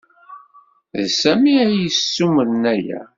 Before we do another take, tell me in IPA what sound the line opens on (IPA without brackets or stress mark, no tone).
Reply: ð